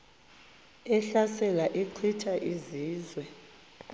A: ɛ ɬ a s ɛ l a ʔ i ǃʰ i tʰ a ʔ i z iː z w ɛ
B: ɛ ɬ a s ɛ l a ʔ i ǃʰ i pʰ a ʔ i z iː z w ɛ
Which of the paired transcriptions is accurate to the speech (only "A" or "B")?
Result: A